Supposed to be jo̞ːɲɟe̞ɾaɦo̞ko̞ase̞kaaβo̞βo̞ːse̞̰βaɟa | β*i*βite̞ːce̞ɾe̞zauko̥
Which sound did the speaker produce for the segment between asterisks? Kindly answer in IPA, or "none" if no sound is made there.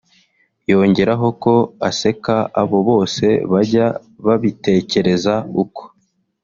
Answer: a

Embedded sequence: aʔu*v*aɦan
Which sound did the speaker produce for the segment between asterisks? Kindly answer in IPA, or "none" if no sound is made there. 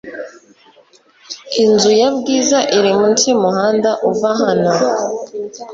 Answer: v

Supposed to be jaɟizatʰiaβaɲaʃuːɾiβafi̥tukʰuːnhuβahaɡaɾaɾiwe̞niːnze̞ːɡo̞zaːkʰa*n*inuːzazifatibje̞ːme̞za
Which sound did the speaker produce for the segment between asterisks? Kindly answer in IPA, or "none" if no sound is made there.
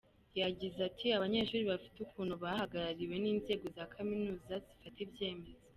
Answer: m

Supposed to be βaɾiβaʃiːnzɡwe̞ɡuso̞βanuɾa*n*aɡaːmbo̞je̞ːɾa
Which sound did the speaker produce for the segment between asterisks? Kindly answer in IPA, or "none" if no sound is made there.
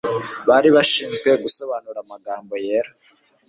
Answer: m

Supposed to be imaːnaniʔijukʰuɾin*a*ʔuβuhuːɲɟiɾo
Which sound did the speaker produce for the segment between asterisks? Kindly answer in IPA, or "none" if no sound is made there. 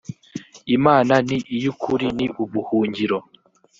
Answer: i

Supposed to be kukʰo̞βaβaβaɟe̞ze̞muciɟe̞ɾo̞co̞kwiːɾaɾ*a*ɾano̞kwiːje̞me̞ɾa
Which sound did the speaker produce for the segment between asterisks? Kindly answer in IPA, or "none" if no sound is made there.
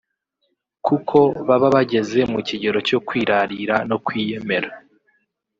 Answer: i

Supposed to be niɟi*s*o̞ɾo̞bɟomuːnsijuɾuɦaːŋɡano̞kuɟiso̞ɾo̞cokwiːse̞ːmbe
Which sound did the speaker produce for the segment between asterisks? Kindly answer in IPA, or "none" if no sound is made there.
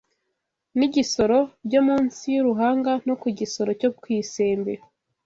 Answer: s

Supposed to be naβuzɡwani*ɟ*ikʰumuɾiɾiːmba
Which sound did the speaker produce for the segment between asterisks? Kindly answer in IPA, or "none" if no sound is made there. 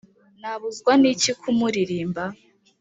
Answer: c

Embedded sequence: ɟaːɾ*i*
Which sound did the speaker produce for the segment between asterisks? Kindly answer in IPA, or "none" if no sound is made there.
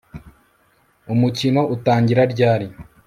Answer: i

